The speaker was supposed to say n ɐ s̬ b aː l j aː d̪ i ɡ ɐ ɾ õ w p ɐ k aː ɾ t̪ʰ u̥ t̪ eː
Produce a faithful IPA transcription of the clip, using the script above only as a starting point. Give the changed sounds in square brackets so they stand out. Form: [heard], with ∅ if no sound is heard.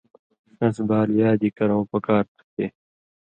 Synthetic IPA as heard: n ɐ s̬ b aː l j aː d̪ i [k] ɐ ɾ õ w p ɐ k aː ɾ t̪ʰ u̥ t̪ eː

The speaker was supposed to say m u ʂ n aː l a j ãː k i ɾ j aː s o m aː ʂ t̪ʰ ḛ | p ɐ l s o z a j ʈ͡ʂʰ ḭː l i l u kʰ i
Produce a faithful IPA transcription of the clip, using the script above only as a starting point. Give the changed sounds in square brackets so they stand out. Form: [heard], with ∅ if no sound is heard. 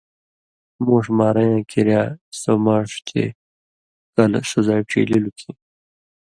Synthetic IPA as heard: m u ʂ [m] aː [ɾ] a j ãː k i ɾ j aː s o m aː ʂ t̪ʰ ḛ | [k] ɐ l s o z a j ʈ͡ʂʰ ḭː l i l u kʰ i

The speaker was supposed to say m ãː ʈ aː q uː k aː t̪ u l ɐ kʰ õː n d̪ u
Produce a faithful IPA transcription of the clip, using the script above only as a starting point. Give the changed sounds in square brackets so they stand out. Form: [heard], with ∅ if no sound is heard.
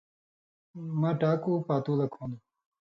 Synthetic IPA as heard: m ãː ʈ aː [k] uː [p] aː t̪ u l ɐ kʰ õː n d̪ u

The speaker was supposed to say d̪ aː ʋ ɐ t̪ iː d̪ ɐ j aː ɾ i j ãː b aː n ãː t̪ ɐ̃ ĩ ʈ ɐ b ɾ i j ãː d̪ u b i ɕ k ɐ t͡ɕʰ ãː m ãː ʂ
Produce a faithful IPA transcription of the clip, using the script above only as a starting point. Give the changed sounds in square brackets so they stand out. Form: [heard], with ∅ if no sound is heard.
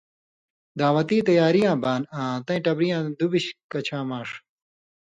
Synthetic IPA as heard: d̪ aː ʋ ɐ t̪ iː [t̪] ɐ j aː ɾ i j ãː b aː n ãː t̪ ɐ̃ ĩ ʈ ɐ b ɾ i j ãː d̪ u b i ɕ k ɐ t͡ɕʰ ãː m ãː ʂ

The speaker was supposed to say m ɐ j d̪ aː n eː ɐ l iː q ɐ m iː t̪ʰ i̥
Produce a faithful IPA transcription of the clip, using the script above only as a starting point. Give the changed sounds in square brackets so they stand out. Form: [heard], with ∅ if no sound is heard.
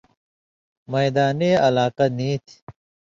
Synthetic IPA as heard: m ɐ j d̪ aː n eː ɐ l [aː] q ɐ [n] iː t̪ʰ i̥

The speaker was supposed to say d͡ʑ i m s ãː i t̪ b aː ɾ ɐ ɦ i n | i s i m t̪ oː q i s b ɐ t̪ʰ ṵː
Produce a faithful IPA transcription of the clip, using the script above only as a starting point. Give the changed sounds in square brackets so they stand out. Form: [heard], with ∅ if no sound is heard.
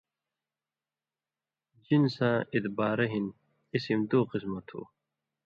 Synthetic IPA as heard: d͡ʑ i [n] s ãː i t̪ b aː ɾ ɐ ɦ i n | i s i m [d̪] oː q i s [m] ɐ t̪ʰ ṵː

